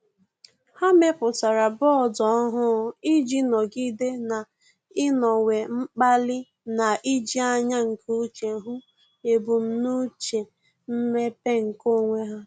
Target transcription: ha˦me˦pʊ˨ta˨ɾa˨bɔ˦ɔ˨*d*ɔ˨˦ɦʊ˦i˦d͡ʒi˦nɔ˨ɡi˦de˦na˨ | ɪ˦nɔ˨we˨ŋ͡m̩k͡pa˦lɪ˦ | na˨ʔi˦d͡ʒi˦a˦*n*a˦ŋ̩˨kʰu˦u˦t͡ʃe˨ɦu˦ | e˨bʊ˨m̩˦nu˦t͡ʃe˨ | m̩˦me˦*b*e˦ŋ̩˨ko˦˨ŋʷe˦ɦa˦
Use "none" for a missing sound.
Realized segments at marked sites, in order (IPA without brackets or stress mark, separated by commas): d, ɲ, p